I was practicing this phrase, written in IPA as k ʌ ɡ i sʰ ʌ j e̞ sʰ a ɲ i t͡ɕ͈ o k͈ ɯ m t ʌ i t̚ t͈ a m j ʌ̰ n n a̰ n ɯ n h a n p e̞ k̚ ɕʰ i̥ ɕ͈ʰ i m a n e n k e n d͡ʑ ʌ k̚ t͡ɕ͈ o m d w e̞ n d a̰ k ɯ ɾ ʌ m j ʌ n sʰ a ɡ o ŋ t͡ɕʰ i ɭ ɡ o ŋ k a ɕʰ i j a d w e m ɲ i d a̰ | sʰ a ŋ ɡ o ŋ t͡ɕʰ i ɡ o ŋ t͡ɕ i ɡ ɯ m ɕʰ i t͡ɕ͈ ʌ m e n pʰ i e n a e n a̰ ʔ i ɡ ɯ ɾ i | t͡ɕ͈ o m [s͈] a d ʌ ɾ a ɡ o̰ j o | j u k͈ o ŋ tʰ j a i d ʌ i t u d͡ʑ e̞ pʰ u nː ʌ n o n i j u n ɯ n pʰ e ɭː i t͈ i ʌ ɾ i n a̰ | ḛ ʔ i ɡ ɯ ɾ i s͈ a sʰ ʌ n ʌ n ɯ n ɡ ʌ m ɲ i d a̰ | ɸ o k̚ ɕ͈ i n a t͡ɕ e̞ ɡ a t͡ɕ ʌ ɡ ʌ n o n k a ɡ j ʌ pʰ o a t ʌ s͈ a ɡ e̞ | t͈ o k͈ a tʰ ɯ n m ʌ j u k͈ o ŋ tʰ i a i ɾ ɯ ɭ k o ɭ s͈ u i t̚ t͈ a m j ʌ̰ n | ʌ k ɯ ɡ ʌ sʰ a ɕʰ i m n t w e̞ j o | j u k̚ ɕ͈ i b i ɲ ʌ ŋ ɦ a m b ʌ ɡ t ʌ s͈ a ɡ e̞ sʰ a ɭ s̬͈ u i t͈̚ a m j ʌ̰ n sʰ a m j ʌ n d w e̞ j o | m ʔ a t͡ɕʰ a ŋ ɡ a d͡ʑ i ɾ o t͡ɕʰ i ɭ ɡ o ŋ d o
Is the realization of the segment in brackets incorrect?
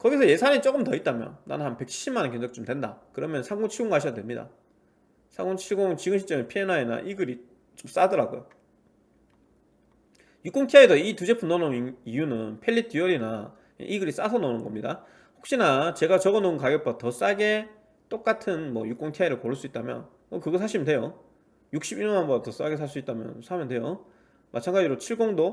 no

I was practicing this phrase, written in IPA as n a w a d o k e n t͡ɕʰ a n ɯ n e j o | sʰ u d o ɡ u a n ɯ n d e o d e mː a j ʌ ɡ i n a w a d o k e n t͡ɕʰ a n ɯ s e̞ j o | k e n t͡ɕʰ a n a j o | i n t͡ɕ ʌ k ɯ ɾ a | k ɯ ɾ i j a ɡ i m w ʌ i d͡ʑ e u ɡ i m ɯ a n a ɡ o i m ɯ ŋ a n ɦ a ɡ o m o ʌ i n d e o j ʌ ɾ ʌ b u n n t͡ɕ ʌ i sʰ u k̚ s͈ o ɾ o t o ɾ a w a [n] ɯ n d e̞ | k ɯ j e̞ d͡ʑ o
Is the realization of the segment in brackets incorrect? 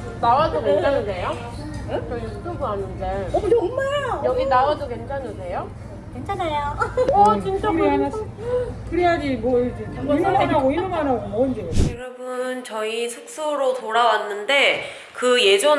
yes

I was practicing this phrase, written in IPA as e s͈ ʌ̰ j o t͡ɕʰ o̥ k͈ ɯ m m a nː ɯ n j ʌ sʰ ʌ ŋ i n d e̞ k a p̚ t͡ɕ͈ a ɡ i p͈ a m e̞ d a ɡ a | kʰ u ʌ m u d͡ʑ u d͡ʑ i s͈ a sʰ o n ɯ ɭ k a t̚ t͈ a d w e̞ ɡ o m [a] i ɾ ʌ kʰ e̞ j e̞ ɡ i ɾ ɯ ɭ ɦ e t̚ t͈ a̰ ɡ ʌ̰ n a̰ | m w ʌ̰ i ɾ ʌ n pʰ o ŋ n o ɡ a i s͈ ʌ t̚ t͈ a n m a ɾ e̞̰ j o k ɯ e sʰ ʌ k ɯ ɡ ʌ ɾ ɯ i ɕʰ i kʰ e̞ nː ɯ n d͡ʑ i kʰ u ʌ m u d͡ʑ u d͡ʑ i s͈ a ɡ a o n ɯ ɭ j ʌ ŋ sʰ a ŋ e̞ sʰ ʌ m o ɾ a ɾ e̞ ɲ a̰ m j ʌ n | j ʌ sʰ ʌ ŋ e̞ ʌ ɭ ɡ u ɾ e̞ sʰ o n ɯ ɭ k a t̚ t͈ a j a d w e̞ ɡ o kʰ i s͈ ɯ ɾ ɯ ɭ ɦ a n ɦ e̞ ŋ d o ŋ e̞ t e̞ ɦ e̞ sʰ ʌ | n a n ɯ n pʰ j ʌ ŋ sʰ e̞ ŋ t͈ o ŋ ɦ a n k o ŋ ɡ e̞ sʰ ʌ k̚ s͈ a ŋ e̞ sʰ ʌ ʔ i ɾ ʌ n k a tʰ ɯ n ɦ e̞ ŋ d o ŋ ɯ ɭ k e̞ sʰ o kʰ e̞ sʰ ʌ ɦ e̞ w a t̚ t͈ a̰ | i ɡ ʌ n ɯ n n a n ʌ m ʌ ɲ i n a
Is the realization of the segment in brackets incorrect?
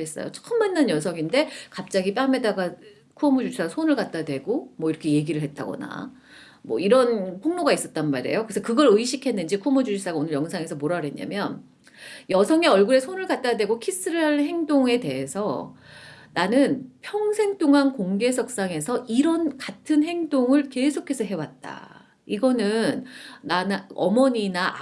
yes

